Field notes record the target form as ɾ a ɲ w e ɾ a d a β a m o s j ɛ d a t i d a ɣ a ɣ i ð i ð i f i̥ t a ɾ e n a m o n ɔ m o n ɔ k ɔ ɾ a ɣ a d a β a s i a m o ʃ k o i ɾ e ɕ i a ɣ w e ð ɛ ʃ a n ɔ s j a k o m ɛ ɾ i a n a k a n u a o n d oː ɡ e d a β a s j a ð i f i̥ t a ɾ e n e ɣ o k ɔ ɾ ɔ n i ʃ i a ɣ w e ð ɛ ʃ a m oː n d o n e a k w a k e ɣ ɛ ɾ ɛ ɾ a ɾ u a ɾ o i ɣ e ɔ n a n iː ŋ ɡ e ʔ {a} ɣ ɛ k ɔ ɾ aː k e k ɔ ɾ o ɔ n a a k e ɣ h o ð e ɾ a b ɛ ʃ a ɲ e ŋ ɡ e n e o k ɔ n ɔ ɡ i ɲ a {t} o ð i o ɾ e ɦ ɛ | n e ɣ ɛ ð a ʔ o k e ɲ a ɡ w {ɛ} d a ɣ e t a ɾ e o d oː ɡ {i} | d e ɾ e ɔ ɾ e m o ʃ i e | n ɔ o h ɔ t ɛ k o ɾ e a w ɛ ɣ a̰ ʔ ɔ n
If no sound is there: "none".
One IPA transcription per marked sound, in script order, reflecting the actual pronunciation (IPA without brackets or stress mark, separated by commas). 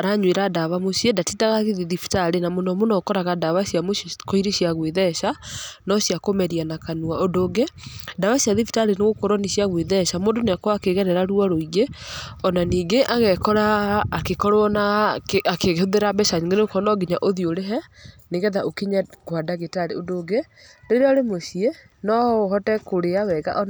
a, ʔ, a, e